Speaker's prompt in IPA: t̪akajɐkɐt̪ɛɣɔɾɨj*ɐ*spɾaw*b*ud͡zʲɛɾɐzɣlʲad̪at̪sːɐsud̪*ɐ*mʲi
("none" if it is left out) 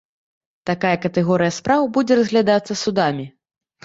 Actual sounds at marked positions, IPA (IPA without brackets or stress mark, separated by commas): ɐ, b, a